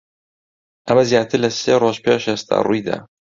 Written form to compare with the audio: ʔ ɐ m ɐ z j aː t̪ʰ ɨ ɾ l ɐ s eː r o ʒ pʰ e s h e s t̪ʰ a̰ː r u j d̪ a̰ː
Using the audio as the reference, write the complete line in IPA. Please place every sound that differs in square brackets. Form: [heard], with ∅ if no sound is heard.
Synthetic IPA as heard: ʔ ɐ m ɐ z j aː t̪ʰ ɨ ɾ l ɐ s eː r o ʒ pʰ e [ʃ] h e s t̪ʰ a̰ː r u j d̪ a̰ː